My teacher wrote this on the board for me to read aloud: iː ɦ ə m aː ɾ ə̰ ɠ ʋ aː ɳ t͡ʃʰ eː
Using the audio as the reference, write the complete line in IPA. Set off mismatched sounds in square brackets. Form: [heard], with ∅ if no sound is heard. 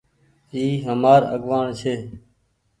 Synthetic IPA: iː ɦ ə m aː ɾ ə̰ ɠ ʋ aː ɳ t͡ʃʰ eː